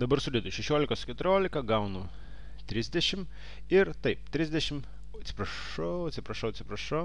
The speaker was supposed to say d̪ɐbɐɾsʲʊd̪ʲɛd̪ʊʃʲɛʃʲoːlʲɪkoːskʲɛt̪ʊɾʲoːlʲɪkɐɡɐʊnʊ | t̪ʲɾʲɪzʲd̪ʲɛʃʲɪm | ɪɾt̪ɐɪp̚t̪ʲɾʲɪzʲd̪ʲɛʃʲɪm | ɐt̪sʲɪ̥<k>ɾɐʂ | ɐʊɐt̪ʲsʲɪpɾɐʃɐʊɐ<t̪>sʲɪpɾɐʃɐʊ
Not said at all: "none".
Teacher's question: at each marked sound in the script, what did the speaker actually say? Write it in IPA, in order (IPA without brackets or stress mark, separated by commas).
p, t̪